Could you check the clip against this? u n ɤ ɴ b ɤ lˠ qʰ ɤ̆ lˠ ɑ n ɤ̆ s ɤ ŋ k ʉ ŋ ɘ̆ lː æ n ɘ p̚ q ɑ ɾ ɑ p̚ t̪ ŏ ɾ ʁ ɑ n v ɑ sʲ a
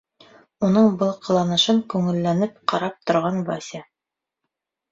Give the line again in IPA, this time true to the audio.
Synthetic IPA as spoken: u n ɤ ɴ b ɤ lˠ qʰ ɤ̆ lˠ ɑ n ɤ̆ ʃ ɤ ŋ k ʉ ŋ ɘ̆ lː æ n ɘ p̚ q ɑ ɾ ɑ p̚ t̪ ŏ ɾ ʁ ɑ n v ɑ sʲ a